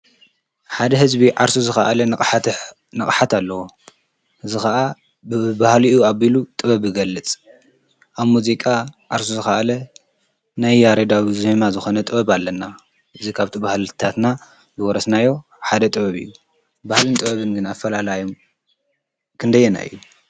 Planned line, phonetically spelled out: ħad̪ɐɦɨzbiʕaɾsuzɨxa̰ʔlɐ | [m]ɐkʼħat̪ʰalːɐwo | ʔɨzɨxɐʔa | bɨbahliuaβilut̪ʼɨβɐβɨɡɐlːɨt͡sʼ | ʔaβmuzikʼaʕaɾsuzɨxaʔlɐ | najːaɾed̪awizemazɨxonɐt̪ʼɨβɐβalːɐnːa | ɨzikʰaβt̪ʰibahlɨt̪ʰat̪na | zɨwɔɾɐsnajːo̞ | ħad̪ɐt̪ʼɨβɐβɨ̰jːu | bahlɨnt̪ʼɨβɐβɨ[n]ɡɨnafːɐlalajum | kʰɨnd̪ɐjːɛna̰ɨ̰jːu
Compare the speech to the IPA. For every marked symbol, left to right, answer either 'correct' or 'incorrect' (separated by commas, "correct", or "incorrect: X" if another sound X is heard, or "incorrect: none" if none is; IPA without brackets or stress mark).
incorrect: n, correct